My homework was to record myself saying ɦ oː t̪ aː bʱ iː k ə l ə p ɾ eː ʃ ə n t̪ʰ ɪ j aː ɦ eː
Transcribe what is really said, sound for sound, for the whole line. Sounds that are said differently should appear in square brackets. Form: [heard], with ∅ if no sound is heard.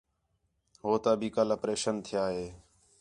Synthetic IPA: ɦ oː t̪ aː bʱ iː k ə l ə p ɾ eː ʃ ə n t̪ʰ ɪ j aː ɦ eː

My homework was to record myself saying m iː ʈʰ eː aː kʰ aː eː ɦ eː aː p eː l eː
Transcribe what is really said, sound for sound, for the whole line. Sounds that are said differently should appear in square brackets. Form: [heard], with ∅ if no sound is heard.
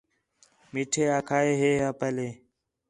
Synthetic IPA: m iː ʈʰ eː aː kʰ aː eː ɦ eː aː p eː l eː

